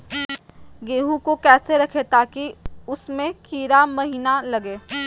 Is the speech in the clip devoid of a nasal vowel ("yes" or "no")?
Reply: no